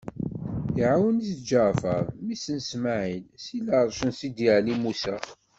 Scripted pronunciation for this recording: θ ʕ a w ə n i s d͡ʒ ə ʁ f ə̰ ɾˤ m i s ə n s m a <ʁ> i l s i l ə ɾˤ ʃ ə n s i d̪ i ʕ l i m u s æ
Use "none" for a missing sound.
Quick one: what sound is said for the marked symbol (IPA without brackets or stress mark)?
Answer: ʕ